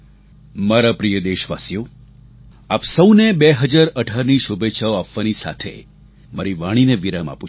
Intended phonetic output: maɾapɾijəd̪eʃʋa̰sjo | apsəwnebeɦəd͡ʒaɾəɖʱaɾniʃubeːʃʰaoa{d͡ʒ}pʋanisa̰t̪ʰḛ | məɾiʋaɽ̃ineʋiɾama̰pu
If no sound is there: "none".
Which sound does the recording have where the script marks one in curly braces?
none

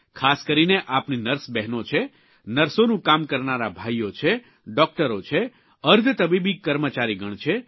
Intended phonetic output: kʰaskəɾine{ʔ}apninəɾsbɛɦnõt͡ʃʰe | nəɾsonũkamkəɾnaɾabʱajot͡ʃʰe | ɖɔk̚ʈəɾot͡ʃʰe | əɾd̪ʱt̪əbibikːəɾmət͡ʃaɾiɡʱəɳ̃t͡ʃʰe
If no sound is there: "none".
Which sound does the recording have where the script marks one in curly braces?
ʔ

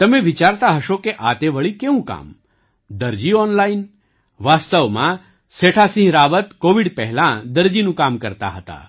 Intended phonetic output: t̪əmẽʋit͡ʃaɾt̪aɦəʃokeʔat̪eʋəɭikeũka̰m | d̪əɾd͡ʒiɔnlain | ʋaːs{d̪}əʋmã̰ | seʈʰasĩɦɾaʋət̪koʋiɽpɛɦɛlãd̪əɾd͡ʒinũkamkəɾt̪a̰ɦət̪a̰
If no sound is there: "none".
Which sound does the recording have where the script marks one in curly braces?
t̪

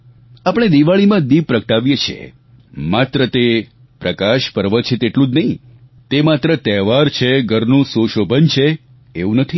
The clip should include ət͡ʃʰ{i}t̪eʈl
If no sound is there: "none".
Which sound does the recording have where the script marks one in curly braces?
e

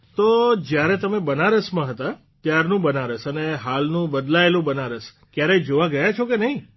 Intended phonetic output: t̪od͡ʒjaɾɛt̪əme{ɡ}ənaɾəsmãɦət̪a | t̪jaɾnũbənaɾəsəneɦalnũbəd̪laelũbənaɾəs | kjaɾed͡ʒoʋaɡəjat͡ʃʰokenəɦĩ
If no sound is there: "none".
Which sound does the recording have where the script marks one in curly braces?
b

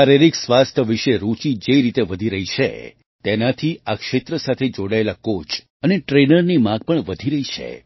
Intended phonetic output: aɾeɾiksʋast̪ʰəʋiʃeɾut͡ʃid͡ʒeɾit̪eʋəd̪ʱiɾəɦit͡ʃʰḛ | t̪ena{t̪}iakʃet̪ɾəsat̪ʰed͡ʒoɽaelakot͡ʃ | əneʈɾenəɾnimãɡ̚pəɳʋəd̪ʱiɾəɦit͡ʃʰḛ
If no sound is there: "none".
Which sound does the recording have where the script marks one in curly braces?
t̪ʰ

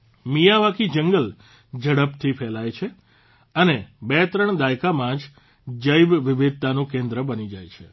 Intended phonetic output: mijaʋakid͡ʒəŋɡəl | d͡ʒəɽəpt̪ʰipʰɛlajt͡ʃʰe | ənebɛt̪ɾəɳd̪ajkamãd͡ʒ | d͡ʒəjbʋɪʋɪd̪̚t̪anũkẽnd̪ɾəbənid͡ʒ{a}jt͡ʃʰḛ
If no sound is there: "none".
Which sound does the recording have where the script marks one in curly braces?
a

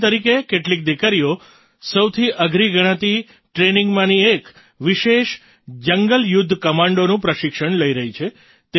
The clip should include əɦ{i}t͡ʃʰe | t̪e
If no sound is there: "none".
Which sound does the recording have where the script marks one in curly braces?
i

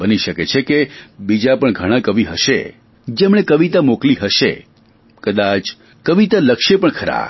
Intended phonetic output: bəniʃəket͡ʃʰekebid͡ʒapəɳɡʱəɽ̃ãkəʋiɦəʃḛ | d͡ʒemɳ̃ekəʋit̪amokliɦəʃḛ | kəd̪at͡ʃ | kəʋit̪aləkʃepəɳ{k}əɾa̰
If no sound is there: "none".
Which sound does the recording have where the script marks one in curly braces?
kʰ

